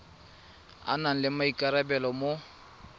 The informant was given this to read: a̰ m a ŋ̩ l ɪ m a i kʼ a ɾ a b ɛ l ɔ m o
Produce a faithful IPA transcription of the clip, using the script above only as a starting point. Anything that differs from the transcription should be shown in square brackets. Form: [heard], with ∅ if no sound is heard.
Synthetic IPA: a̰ [n] a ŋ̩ l ɪ m a i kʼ a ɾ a b ɛ l ɔ m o